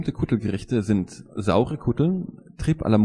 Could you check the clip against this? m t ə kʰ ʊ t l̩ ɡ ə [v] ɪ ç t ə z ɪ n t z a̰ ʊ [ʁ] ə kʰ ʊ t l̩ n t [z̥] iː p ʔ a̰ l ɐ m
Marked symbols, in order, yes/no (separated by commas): no, yes, no